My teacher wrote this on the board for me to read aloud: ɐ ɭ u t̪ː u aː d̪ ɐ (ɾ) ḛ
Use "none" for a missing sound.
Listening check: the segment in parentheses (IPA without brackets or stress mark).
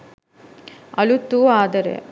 ɾ